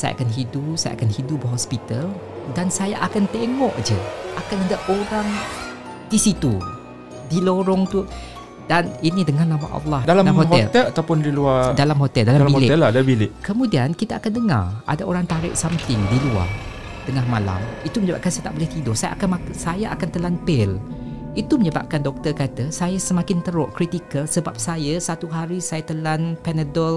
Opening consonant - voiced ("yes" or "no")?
no